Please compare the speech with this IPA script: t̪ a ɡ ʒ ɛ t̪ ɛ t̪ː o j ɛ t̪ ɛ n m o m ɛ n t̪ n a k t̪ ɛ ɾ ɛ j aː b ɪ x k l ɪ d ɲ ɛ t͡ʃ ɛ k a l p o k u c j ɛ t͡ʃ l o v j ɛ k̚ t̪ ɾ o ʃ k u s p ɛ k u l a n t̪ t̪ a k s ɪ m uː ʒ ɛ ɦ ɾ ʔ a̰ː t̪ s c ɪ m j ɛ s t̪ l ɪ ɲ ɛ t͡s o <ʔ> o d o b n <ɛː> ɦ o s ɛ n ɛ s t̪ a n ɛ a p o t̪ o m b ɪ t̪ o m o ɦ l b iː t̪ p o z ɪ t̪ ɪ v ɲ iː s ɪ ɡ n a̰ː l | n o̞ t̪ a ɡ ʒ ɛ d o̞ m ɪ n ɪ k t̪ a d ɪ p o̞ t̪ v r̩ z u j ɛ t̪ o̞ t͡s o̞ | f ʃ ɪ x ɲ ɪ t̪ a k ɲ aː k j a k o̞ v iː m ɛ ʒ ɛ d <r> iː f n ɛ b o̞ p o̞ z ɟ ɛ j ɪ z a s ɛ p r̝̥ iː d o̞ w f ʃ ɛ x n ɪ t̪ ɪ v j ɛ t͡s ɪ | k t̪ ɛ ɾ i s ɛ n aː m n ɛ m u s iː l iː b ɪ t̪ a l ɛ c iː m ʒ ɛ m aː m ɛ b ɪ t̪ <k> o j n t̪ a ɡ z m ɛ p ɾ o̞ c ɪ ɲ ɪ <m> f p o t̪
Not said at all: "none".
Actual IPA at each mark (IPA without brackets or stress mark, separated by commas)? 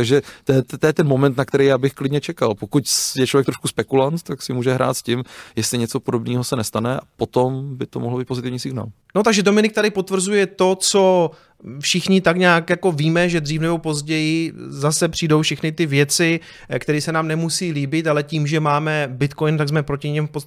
p, iː, r, k, m